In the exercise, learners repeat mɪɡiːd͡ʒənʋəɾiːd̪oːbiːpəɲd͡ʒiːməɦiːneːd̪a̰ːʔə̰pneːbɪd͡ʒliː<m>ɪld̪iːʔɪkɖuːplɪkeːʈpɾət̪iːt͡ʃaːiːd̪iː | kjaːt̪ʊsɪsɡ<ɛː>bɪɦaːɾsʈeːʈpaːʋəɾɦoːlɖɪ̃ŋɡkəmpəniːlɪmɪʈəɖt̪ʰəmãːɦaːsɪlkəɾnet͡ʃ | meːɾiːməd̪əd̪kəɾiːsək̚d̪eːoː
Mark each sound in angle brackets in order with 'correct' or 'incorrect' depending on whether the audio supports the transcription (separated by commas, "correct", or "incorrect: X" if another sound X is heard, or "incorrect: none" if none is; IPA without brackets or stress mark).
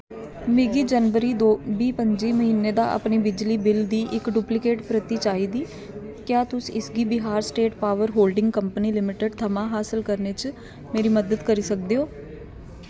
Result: incorrect: b, incorrect: iː